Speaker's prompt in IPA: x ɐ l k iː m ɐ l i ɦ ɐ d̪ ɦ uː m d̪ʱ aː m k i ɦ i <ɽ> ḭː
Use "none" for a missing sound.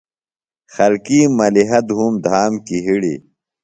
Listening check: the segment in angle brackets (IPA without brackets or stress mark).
ɽ